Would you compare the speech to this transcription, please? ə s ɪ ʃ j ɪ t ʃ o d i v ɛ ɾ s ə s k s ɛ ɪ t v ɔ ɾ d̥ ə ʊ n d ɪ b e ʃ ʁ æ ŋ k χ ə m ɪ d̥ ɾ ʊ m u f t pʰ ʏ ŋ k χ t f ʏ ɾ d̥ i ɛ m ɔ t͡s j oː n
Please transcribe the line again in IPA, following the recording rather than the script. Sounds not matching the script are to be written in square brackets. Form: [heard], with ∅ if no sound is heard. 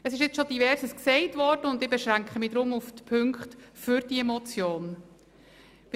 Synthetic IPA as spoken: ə s ɪ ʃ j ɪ [t͡s] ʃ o d i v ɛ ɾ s ə s k s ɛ ɪ t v ɔ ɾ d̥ ə ʊ n d ɪ b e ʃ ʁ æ ŋ k χ ə m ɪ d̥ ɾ ʊ m u f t pʰ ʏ ŋ k χ t f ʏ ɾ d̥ i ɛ m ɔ t͡s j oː n